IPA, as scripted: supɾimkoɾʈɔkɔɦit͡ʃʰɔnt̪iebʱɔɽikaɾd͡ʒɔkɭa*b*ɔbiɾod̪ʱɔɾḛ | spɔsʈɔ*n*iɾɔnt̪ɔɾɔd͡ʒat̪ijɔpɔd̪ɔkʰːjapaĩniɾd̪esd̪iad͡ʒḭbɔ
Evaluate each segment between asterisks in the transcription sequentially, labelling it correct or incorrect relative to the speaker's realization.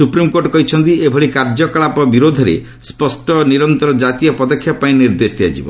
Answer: incorrect, correct

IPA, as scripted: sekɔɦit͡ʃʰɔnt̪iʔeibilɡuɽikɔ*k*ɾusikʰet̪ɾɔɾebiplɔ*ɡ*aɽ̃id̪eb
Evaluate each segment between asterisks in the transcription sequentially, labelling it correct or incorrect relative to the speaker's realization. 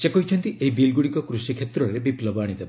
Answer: correct, incorrect

